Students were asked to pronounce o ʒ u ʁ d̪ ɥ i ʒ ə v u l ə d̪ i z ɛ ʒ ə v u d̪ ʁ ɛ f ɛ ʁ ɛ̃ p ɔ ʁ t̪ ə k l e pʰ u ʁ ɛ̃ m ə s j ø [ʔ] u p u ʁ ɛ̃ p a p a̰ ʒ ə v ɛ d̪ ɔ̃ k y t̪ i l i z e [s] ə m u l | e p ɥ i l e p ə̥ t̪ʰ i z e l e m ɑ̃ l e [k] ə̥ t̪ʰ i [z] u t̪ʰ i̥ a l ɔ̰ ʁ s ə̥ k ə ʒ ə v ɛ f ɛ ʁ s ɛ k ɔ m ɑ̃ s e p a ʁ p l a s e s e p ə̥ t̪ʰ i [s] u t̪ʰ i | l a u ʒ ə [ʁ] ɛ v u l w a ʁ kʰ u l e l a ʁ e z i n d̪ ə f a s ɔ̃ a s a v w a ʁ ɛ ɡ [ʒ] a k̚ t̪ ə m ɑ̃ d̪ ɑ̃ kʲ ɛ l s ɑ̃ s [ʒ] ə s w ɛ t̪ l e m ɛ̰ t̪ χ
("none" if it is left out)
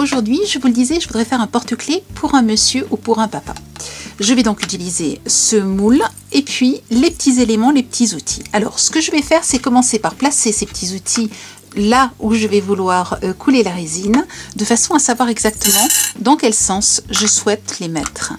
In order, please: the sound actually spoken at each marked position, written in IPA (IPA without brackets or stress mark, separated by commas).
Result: ʔ, s, p, z, z, v, z, ʒ